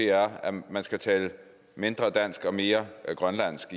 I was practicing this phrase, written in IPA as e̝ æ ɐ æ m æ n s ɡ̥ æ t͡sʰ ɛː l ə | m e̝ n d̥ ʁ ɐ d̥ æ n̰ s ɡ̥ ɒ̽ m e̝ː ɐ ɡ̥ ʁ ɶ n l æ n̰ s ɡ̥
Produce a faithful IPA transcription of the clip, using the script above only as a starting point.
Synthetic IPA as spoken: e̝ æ ɐ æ m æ n s ɡ̥ æ t͡sʰ ɛː l ə | m e̝ n d̥ ʁ ɐ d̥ æ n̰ s ɡ̥ ɒ̽ m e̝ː ɐ ɡ̥ ʁ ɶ n l æ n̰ s ɡ̥